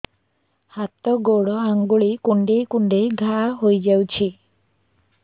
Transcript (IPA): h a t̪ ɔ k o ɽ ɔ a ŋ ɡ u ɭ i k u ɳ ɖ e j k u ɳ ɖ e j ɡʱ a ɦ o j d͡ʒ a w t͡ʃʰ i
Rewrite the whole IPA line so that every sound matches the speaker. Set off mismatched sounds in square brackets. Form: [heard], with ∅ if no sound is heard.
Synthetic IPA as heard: h a t̪ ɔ [ɡ] o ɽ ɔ a ŋ ɡ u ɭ i k u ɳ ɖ e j k u ɳ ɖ e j ɡʱ a ɦ o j d͡ʒ a w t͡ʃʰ i